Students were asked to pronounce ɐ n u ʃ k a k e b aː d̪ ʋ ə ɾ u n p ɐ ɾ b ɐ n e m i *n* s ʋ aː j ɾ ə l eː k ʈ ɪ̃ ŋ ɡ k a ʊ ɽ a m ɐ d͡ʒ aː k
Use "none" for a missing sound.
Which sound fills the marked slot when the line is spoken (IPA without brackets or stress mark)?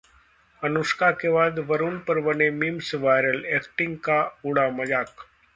m